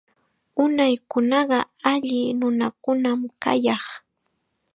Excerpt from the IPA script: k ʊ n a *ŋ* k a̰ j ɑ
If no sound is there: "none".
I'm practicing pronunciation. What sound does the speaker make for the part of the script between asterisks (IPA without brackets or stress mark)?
m